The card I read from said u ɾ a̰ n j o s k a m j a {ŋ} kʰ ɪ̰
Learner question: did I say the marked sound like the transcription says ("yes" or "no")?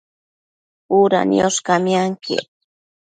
yes